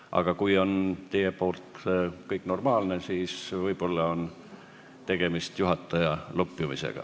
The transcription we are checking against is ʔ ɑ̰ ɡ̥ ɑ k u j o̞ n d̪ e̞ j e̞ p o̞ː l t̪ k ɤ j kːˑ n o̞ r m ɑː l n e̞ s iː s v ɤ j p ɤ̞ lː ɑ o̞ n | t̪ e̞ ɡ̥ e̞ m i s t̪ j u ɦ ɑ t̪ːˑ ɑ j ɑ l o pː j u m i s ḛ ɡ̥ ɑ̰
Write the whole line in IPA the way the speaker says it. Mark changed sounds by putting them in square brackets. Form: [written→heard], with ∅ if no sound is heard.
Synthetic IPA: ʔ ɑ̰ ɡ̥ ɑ k u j o̞ n [d̪→t̪] e̞ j e̞ p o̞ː l t̪ k ɤ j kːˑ n o̞ r m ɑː l n e̞ s iː s v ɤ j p [ɤ̞→o̞] lː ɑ o̞ n | t̪ e̞ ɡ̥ e̞ m i s t̪ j u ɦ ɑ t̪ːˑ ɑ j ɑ l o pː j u m i s ḛ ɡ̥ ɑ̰